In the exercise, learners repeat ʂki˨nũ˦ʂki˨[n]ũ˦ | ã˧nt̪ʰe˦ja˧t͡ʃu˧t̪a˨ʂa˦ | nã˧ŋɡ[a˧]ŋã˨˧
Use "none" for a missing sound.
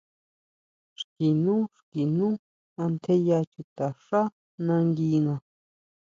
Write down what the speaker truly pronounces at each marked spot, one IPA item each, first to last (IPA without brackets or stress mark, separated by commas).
n, i˧